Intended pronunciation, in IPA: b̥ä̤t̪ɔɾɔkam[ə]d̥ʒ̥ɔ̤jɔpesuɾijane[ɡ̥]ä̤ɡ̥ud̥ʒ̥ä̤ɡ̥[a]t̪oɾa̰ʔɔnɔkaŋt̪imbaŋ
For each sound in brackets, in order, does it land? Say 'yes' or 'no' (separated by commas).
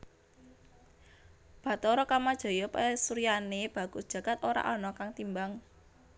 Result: no, no, yes